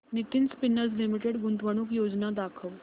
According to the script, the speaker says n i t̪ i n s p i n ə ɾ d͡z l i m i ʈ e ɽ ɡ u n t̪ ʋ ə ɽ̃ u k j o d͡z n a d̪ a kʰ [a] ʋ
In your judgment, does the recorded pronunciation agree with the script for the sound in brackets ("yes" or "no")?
no